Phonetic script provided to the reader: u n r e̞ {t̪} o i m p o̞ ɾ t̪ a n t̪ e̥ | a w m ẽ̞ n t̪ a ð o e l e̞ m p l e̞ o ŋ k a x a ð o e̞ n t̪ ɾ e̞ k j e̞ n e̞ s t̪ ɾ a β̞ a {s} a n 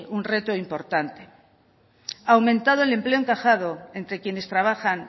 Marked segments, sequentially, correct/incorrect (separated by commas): correct, incorrect